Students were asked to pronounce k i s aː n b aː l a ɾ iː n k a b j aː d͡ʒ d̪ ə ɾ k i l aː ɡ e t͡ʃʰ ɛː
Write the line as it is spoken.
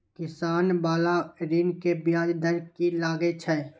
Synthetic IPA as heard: k ɪ s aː n b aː l a ɾ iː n k e b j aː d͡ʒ d̪ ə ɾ k i l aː ɡ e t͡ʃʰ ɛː

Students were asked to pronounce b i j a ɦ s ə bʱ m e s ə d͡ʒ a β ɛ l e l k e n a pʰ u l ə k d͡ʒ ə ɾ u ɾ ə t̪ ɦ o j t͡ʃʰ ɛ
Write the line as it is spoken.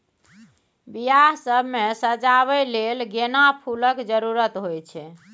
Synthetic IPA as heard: b i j a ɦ s ə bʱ m e s ə d͡ʒ a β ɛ l e l ɡ e n a pʰ u l ə k d͡ʒ ə ɾ u ɾ ə t̪ ɦ o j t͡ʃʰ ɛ

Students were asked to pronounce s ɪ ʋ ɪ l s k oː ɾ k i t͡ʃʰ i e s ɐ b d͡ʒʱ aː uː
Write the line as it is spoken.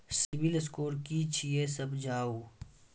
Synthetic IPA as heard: s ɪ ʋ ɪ l s k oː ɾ k i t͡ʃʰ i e s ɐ b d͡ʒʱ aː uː

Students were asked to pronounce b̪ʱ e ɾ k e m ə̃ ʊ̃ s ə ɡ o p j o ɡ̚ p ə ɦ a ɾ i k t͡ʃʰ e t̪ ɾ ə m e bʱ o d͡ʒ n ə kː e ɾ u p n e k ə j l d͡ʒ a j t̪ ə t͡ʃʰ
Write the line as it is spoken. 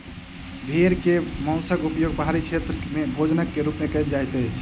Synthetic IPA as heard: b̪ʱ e ɾ k e m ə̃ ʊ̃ s ə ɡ u p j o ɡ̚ p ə ɦ a ɾ i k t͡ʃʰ e t̪ ɾ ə m e bʱ o d͡ʒ n ə kː e ɾ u p m e k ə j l d͡ʒ a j t̪ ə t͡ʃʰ

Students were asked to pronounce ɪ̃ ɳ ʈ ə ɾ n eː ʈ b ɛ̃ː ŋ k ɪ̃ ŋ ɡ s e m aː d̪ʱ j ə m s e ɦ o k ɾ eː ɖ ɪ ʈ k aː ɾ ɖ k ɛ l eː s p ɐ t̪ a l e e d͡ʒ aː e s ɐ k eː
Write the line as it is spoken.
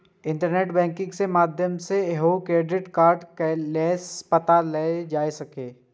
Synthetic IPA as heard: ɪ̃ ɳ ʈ ə ɾ n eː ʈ b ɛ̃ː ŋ k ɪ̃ ŋ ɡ s e m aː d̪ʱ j ə m s e ɦ o k ɾ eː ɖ ɪ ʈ k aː ɾ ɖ k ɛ l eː s p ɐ t̪ a l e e d͡ʒ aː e s ɐ k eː

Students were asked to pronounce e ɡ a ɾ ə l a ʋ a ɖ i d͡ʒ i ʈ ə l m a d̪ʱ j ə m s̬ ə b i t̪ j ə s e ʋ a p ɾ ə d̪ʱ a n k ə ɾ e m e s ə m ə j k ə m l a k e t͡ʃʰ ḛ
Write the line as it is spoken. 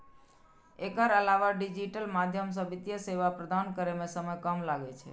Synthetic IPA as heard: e k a ɾ ə l a ʋ a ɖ i d͡ʒ i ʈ ə l m a d̪ʱ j ə m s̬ ə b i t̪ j ə s e ʋ a p ɾ ə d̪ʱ a n k ə ɾ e m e s ə m ə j k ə m l a ɡ e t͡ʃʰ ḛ

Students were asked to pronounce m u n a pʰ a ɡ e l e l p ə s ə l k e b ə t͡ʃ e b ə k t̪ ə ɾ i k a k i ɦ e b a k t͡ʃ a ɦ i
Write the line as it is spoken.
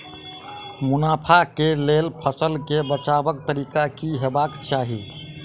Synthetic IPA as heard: m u n a pʰ a k e l e l pʰ ə s ə l k e b ə t͡ʃ a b ə k t̪ ə ɾ i k a k i ɦ e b a k t͡ʃ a ɦ i

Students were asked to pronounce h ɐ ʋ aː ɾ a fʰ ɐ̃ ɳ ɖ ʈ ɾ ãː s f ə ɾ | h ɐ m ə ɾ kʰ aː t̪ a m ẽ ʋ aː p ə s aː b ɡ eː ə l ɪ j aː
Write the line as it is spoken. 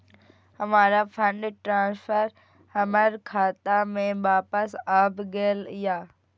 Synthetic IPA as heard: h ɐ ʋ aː ɾ a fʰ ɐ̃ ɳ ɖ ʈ ɾ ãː s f ə ɾ | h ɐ m ə ɾ kʰ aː t̪ a m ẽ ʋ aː p ə s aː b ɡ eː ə l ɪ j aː

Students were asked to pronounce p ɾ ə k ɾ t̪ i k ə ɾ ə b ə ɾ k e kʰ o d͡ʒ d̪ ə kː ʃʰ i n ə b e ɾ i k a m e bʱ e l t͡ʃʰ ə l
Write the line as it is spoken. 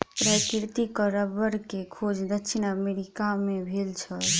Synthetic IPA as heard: p ɾ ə k ɾ t̪ i k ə ɾ ə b ə ɾ k e kʰ o d͡ʒ d̪ ə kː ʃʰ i n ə m e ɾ i k a m e bʱ e l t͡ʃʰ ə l

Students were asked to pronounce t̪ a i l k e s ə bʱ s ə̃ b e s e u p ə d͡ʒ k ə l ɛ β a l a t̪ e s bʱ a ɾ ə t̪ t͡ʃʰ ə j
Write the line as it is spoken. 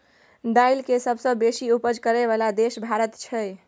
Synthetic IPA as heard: d̪ a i l k e s ə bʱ s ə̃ b e s i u p ə d͡ʒ k ə ɾ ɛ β a l a d̪ e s bʱ a ɾ ə t̪ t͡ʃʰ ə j

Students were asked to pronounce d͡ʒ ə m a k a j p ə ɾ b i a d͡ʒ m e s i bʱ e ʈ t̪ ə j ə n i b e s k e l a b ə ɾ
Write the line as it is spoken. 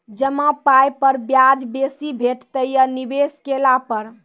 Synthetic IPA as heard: d͡ʒ ə m a p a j p ə ɾ b j a d͡ʒ b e s i bʱ e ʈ t̪ ə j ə n i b e s k e l a p ə ɾ

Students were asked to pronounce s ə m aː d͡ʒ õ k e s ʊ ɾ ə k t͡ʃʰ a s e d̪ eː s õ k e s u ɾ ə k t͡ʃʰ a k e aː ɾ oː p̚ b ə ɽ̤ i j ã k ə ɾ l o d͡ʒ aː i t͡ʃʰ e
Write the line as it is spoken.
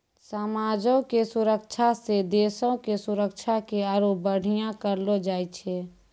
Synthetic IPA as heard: s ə m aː d͡ʒ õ k e s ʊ ɾ ə k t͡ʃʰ a s e d̪ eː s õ k e s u ɾ ə k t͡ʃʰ a k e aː ɾ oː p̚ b ə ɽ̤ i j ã k ə ɾ l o d͡ʒ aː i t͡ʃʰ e

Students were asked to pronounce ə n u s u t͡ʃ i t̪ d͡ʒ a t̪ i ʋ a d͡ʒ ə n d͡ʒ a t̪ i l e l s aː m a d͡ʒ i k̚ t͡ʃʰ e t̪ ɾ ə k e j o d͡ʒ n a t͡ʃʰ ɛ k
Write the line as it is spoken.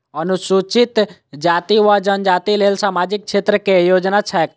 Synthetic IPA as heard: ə n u s u t͡ʃ i t̪ d͡ʒ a t̪ i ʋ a d͡ʒ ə n d͡ʒ a t̪ i l e l s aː m a d͡ʒ i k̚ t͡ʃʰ e t̪ ɾ ə k e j o d͡ʒ n a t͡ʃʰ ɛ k

